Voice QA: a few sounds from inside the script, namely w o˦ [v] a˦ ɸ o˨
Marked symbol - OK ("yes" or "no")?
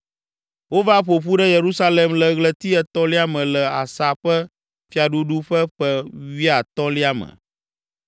yes